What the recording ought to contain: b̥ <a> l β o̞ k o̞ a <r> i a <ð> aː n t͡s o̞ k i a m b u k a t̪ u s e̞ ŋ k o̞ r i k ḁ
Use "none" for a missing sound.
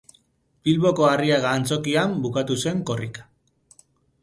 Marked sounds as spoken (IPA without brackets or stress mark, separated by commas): i, r, ɣ